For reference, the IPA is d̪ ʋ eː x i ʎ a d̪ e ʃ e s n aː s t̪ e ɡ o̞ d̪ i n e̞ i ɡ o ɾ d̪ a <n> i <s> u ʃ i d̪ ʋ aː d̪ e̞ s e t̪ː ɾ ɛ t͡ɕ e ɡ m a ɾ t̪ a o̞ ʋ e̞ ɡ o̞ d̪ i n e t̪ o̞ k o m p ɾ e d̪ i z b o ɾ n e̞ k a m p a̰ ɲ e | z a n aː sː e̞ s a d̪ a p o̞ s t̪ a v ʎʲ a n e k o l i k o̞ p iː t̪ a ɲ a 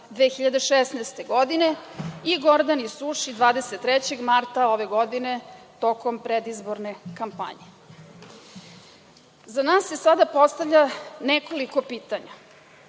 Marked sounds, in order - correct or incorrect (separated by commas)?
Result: correct, correct